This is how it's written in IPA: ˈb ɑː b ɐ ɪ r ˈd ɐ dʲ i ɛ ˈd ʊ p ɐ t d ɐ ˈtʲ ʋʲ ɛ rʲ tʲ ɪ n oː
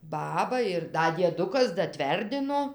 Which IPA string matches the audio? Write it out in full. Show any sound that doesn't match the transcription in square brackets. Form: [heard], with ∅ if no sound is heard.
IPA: ˈb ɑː b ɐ ɪ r ˈd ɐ dʲ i ɛ ˈd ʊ [k] ɐ [s] d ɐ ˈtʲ ʋʲ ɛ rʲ [dʲ] ɪ n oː